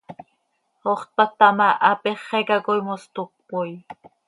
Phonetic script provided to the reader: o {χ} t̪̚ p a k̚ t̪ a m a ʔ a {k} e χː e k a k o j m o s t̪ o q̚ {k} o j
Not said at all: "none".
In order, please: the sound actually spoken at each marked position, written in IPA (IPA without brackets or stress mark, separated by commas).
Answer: χ, p, p